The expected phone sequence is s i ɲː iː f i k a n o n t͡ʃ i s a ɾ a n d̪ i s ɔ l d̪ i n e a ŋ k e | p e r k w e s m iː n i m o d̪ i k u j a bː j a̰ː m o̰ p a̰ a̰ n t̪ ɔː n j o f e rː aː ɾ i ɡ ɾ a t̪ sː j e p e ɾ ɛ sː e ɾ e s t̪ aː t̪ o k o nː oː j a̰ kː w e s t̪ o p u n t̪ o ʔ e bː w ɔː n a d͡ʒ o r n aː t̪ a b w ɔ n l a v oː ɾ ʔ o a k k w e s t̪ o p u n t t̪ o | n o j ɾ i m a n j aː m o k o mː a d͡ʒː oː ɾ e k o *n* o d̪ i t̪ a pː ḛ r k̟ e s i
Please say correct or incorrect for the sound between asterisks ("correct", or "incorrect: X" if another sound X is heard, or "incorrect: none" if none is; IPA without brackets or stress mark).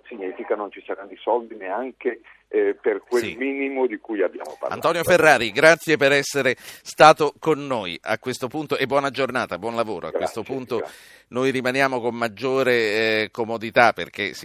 incorrect: m